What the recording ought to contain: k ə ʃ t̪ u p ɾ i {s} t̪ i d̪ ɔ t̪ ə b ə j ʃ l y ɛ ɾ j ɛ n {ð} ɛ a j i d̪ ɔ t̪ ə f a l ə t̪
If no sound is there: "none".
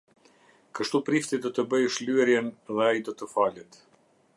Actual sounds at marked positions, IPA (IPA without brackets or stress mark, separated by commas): f, ð